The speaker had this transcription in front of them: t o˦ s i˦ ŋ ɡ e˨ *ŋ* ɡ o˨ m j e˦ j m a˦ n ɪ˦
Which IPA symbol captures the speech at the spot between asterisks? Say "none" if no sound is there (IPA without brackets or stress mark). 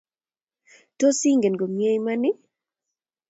n